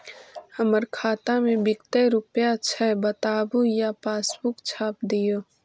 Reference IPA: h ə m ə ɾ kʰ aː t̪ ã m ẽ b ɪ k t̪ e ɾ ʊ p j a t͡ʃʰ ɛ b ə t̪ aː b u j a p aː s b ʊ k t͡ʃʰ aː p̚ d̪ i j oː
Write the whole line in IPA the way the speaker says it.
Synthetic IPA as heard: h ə m ə ɾ kʰ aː t̪ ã m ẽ b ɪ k t̪ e ɾ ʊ p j a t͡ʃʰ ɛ b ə t̪ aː b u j a p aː s b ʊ k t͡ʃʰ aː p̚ d̪ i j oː